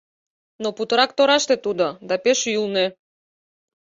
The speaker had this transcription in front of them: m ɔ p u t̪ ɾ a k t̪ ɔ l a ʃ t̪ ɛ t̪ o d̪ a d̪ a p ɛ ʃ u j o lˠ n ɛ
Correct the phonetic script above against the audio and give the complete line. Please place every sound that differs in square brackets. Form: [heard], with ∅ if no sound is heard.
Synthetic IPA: [n] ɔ p u t̪ ɾ a k t̪ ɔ [ɾ] a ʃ t̪ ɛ t̪ [u] d̪ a d̪ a p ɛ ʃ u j [u] lˠ n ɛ